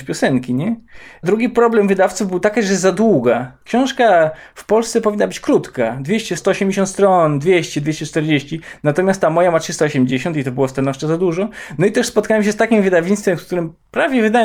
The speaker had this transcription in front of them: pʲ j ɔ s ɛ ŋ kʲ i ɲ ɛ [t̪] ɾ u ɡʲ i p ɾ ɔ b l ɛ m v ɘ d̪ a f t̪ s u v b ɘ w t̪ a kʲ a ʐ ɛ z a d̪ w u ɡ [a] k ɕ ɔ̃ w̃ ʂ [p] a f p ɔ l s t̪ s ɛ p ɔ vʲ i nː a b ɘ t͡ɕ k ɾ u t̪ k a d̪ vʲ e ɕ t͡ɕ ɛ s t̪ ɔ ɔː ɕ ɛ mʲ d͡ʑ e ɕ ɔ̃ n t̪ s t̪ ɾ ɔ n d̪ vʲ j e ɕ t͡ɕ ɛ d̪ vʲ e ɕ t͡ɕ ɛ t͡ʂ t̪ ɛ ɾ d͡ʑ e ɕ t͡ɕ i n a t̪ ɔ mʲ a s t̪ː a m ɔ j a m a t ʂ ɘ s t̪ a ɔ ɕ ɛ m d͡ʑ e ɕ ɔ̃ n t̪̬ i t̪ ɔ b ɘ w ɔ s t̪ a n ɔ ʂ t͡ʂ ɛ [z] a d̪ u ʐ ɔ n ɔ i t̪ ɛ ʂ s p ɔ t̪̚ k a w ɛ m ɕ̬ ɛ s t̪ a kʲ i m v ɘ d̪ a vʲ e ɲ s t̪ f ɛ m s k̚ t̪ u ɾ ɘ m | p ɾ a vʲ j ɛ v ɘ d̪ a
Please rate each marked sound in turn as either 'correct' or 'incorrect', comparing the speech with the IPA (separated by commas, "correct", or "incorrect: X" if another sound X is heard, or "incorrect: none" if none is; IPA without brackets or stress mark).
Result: incorrect: d̪, correct, incorrect: k, correct